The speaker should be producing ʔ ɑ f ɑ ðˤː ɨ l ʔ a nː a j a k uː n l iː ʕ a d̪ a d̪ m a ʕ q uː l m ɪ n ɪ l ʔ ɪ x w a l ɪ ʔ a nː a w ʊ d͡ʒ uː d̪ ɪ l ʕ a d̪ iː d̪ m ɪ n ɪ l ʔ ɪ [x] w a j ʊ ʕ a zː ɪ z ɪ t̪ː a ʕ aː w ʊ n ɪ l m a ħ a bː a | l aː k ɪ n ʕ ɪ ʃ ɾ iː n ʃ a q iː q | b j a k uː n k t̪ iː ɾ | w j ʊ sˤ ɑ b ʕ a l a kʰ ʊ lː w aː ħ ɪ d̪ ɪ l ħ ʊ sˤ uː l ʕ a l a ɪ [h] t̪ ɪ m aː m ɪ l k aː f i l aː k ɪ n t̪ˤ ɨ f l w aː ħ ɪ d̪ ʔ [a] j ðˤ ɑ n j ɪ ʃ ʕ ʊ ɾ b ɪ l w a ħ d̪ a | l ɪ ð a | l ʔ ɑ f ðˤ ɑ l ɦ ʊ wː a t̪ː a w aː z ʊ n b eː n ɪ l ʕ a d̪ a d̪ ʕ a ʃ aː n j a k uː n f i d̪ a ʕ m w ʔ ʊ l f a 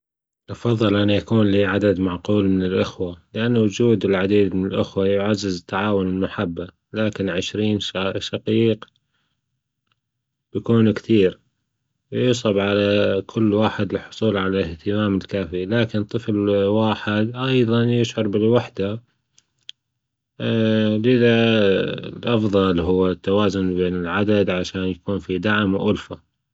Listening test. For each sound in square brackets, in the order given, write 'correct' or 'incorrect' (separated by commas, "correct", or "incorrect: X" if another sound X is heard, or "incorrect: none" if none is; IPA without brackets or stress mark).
correct, correct, incorrect: ɑ